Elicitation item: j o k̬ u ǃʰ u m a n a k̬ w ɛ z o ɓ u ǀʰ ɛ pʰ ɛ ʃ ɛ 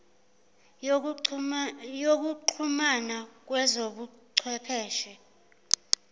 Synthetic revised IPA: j o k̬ u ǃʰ u m a n a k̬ w ɛ z o ɓ u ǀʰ ɛ pʰ ɛː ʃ ɛ